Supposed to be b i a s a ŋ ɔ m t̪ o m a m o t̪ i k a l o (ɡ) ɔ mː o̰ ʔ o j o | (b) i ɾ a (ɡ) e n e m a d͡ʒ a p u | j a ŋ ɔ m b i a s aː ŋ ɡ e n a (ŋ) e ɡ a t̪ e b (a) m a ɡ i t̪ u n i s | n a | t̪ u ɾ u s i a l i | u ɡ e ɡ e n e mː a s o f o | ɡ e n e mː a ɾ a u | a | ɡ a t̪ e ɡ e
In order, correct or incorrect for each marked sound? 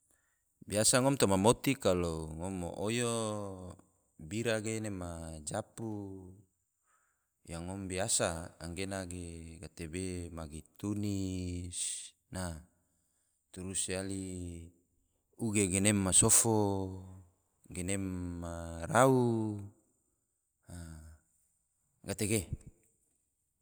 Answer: incorrect: ŋ, correct, correct, incorrect: ɡ, incorrect: e

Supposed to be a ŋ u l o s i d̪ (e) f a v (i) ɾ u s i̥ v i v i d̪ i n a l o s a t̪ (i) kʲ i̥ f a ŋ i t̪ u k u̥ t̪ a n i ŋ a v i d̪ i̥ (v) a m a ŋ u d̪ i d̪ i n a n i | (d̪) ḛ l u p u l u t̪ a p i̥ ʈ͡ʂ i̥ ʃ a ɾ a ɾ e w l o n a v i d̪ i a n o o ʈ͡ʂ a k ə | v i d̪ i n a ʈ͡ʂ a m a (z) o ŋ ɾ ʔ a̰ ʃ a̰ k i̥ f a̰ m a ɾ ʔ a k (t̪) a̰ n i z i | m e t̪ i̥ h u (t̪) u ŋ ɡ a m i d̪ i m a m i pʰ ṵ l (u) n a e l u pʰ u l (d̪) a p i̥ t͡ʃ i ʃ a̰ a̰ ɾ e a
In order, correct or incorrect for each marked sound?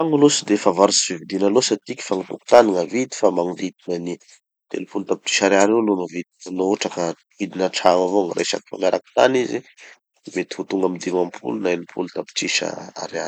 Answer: correct, incorrect: a, correct, incorrect: f, incorrect: t̪, incorrect: v, correct, correct, correct, incorrect: t̪

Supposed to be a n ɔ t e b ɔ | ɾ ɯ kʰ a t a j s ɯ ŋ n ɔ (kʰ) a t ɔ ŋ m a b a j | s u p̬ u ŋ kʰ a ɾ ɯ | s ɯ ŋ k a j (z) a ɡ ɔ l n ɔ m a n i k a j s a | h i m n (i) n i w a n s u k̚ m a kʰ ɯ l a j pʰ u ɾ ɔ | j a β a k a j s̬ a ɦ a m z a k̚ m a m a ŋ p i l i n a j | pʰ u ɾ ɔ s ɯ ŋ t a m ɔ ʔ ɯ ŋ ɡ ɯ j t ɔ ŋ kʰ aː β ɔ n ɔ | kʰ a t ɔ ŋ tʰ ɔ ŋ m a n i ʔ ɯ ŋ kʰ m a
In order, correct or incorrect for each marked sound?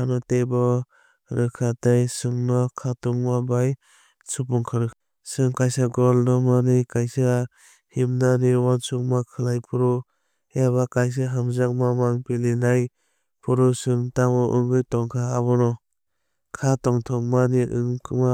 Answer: correct, incorrect: s, incorrect: a

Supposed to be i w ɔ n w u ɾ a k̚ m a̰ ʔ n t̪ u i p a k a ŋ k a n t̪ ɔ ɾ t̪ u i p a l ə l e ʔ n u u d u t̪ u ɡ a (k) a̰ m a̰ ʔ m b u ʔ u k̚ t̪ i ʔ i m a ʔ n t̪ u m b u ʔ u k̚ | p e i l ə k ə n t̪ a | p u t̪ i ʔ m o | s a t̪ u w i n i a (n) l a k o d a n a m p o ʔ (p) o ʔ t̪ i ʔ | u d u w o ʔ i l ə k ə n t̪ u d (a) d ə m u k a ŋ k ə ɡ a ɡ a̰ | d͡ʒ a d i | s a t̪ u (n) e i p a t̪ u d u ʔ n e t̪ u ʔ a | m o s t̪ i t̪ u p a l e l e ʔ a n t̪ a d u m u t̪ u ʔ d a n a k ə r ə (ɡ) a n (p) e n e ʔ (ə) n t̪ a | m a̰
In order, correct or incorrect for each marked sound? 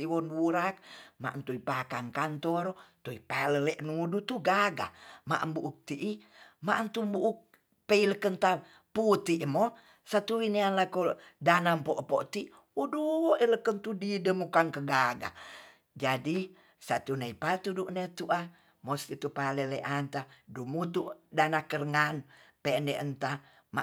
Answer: incorrect: ɡ, correct, correct, incorrect: i, correct, incorrect: ŋ, correct, correct

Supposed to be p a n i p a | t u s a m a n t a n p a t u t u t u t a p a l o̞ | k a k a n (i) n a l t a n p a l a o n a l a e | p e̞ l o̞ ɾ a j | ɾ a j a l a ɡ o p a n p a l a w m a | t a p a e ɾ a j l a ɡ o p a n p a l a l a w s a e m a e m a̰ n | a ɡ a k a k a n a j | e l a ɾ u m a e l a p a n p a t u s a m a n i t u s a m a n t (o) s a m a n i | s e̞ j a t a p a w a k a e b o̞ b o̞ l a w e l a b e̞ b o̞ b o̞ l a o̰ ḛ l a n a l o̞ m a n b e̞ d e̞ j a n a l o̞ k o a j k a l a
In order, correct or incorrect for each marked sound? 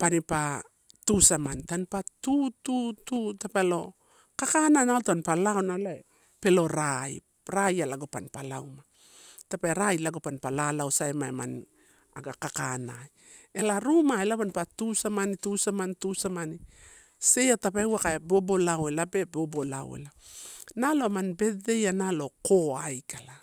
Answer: incorrect: a, incorrect: u

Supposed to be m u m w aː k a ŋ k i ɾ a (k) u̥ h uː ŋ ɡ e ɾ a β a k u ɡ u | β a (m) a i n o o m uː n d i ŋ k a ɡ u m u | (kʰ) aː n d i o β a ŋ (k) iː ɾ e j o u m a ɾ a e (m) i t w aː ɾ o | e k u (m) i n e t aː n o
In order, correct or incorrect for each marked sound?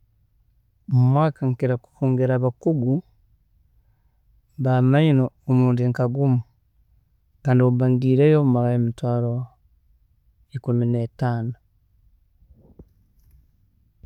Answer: correct, correct, incorrect: k, incorrect: ɡ, correct, correct

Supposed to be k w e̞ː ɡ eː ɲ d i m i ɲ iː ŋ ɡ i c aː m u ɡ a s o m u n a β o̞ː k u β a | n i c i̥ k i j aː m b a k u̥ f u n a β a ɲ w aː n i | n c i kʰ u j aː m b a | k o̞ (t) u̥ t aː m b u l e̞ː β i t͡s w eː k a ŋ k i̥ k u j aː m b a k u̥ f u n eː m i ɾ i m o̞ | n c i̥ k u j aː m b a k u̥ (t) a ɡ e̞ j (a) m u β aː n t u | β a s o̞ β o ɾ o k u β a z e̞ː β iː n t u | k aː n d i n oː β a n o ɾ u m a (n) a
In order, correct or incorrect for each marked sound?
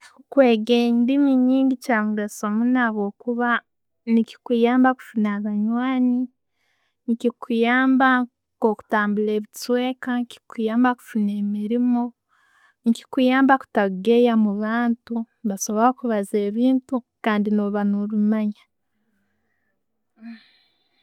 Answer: incorrect: k, correct, correct, incorrect: ɲ

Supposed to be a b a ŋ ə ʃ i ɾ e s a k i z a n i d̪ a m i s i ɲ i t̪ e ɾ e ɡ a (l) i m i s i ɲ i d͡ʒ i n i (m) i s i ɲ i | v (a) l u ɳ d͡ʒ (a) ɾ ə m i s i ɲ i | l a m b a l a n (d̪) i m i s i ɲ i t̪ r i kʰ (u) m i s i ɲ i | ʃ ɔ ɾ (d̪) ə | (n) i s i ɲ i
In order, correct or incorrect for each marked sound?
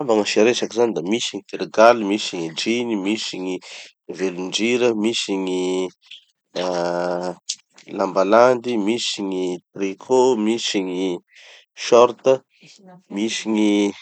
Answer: correct, correct, incorrect: e, incorrect: i, correct, incorrect: o, incorrect: t̪, incorrect: m

